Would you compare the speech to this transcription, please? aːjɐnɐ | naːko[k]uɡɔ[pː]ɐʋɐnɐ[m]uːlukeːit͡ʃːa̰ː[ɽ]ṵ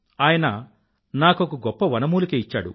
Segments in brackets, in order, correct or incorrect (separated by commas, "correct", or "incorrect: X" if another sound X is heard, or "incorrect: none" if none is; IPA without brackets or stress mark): correct, correct, correct, correct